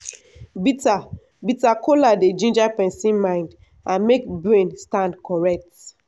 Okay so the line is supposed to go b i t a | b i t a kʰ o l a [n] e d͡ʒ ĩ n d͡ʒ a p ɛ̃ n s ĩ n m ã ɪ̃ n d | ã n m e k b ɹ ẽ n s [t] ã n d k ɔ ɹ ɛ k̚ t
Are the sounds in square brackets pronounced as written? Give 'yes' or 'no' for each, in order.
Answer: no, yes

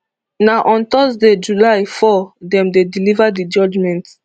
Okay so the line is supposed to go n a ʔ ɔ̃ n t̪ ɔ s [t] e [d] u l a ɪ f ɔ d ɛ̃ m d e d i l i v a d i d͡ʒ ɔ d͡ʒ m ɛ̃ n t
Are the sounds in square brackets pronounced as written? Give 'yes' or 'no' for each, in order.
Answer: no, no

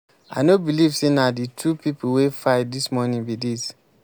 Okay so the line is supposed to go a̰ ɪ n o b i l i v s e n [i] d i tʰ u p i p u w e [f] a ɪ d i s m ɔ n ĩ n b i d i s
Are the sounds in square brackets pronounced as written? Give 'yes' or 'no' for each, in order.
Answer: no, yes

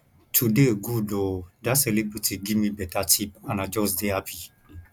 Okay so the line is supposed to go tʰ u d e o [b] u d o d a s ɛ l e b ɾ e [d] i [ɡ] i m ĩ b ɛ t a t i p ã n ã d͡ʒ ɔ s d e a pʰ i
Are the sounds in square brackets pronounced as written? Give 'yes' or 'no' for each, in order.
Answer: no, no, yes

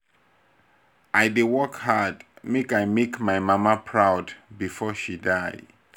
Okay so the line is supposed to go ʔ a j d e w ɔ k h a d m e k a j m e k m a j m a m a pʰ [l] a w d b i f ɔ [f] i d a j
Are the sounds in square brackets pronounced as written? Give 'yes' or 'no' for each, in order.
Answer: no, no

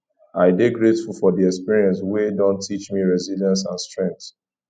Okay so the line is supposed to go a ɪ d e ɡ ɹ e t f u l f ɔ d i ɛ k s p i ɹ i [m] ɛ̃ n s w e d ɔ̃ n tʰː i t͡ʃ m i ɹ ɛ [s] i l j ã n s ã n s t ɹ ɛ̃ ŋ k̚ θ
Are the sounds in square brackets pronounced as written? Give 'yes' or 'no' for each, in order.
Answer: no, no

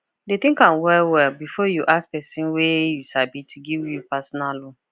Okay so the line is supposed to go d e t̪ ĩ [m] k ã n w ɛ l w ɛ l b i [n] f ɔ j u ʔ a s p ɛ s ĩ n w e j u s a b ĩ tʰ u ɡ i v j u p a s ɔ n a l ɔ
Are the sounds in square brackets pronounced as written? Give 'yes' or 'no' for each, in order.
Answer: no, no

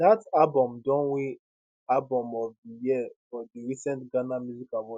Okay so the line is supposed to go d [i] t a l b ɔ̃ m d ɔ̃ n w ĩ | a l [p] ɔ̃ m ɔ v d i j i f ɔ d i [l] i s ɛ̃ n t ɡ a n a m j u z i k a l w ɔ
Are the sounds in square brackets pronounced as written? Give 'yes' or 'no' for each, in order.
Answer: no, no, no

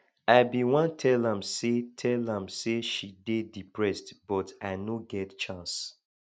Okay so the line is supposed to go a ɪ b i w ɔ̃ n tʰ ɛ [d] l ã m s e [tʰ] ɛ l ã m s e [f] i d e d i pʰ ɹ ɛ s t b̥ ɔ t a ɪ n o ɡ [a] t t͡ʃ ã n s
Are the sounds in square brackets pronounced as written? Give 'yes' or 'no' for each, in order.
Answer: no, yes, no, no

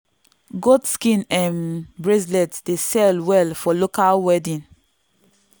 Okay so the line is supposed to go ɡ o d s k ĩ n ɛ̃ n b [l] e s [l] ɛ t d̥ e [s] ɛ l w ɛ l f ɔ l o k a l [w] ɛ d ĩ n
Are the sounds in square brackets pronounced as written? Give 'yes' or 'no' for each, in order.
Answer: no, yes, yes, yes

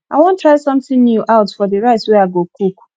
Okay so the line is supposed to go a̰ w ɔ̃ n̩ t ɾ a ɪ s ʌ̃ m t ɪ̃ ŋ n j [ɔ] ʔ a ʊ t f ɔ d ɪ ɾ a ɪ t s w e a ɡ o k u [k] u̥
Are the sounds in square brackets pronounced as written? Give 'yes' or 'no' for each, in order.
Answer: no, yes

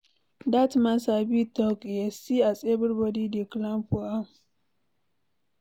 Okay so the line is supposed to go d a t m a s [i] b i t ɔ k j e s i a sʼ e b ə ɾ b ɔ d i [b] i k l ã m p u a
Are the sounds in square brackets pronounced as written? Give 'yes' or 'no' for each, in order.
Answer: no, no

